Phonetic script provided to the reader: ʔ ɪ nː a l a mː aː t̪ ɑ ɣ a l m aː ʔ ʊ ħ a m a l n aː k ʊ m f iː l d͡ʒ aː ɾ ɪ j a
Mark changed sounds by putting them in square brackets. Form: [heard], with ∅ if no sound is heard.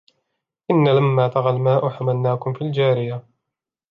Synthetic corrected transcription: ʔ ɪ nː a l a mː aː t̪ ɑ ɣ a l m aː ʔ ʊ ħ a m a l n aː k ʊ m f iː l d͡ʒ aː ɾ ɪ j a

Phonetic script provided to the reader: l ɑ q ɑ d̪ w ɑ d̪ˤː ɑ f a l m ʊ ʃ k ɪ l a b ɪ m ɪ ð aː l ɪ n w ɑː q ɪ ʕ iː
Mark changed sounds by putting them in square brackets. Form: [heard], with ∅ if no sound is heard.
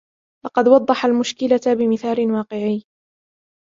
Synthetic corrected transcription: l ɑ q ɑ d̪ w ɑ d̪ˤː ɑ [ħ] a l m ʊ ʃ k ɪ l a b ɪ m ɪ [θ] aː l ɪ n w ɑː q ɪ ʕ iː

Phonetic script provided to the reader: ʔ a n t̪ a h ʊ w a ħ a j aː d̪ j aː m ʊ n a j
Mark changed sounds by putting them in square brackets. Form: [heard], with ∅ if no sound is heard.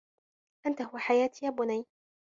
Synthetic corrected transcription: ʔ a n t̪ a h ʊ w a ħ a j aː [t̪] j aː [b] ʊ n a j

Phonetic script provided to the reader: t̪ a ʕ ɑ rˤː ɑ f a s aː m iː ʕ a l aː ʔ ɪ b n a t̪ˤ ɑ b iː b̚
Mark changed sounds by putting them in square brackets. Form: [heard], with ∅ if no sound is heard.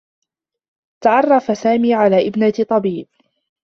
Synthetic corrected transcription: t̪ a ʕ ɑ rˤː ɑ f a s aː m iː ʕ a l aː ʔ ɪ b n a t̪ˤ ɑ b iː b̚

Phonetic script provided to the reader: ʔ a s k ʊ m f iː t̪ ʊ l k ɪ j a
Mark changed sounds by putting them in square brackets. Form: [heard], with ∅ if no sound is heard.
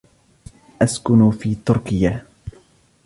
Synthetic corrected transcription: ʔ a s k ʊ [n] f iː t̪ ʊ [ɾ] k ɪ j a

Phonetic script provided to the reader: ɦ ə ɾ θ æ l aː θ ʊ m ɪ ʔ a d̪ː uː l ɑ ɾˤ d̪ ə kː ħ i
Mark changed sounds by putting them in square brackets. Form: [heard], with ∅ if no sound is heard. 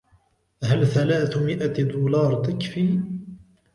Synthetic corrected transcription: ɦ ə [l] θ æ l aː θ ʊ m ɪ ʔ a [d̪] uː l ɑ ɾˤ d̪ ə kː [f] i

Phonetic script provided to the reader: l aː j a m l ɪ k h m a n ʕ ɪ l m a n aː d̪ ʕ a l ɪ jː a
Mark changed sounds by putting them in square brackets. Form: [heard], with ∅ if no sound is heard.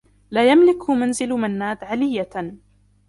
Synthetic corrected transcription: l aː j a m l ɪ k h m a n [z] ɪ l m a [nː] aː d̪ ʕ a l ɪ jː a

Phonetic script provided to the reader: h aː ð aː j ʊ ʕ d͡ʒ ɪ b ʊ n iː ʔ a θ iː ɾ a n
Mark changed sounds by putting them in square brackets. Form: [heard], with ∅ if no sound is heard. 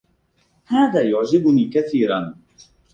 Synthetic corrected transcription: h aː ð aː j ʊ ʕ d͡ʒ ɪ b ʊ n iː [k] a θ iː ɾ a n

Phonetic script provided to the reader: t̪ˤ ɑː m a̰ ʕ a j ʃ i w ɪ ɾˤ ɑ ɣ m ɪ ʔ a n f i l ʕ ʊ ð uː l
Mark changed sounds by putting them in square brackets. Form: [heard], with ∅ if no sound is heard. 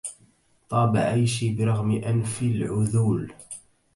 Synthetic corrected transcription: t̪ˤ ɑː [b] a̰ ʕ a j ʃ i [b] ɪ ɾˤ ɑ ɣ m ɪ ʔ a n f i l ʕ ʊ ð uː l

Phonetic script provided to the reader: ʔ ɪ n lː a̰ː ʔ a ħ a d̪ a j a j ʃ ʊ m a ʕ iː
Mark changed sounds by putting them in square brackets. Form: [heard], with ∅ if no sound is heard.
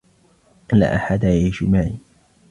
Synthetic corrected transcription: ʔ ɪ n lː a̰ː ʔ a ħ a d̪ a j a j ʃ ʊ m a ʕ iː

